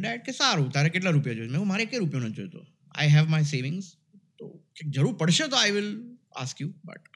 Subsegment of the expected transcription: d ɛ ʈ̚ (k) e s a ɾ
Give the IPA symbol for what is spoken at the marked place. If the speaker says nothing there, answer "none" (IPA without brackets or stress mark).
k